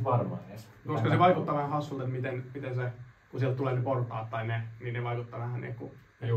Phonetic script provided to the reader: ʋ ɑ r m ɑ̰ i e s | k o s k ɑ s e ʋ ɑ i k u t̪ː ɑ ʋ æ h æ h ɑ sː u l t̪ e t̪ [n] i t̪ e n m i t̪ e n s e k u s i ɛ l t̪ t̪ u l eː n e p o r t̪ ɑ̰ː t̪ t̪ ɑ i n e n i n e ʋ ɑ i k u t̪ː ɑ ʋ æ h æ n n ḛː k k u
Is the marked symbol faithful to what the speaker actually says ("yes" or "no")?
no